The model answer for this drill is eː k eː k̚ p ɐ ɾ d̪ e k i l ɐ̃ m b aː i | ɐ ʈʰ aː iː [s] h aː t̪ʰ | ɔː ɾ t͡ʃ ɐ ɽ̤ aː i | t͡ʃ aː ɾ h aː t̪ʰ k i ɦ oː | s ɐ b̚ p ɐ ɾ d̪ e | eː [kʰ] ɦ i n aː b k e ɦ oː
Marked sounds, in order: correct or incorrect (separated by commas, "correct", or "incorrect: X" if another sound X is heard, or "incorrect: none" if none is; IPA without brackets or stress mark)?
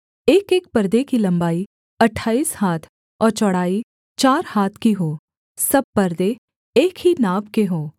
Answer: correct, incorrect: k